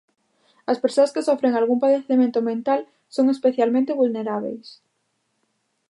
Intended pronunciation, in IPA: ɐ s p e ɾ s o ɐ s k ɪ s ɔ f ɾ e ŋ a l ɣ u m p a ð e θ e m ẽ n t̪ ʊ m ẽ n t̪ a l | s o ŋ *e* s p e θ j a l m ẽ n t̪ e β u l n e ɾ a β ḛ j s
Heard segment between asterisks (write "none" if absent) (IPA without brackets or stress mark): e